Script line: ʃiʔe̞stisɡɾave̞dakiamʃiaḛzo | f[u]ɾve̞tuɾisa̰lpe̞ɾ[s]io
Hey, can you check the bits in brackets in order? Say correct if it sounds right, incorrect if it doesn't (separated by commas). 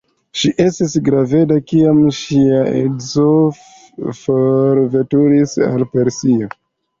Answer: incorrect, correct